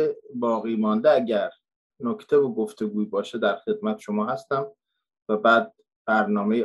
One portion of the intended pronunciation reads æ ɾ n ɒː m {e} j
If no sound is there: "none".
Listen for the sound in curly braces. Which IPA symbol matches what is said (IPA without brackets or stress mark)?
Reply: e